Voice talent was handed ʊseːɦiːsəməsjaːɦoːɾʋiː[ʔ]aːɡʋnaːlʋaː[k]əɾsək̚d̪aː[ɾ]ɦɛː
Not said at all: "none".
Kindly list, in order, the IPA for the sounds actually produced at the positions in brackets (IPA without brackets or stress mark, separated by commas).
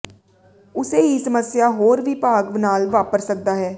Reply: p, p, none